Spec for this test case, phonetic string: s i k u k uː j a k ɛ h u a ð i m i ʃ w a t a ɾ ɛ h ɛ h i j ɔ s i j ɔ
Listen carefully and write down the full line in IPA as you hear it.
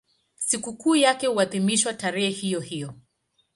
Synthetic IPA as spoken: s i k u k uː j a k ɛ h u a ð i m i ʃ w a t a ɾ ɛ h ɛ h i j ɔ h i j ɔ

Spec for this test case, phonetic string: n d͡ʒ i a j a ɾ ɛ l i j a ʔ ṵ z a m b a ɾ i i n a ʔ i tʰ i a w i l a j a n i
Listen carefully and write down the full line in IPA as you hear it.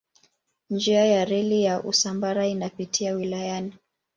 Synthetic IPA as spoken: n d͡ʒ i a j a ɾ ɛ l i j a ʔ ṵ s a m b a ɾ a i n a p i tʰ i a w i l a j a n i

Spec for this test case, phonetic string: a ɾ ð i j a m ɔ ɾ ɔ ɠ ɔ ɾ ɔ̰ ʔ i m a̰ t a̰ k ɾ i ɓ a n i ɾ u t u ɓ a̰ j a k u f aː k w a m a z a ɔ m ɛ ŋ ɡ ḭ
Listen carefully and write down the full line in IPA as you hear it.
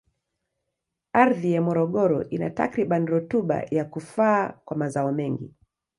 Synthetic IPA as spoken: a ɾ ð i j a m ɔ ɾ ɔ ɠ ɔ ɾ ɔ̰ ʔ i n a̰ t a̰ k ɾ i ɓ a n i ɾ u t u ɓ a̰ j a k u f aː k w a m a z a ɔ m ɛ ŋ ɡ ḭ

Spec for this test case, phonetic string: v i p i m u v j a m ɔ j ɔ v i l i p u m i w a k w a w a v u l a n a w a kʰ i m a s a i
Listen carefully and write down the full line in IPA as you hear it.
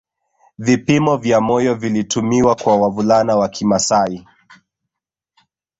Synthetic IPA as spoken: v i p i m ɔ v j a m ɔ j ɔ v i l i t u m i w a k w a w a v u l a n a w a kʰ i m a s a i

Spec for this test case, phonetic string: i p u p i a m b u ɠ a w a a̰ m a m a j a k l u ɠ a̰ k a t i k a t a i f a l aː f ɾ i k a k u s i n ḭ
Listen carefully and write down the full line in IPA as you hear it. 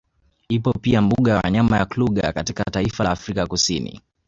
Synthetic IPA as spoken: i p ɔ p i a m b u ɠ a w a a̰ ɲ a m a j a k l u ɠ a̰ k a t i k a t a i f a l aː f ɾ i k a k u s i n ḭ

